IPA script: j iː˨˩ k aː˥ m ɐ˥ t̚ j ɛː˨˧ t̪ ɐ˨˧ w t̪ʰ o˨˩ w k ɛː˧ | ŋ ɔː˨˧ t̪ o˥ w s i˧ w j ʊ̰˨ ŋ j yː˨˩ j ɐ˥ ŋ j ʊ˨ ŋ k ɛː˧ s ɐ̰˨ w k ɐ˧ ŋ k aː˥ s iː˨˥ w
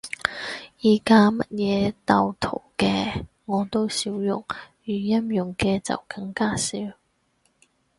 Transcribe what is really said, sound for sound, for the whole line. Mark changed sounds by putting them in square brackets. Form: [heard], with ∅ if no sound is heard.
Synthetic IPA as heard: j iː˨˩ k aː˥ m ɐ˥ t̚ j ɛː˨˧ t̪ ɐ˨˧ w t̪ʰ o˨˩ w k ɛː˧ | ŋ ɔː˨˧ t̪ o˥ w s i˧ w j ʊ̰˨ ŋ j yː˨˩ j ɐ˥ [m] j ʊ˨ ŋ k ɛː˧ [t͡s] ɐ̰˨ w k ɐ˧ ŋ k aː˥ s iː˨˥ w